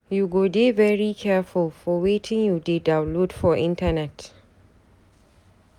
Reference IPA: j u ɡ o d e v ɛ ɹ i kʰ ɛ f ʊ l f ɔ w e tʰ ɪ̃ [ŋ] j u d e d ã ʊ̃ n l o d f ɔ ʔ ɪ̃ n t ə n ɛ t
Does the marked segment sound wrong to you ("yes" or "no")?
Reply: no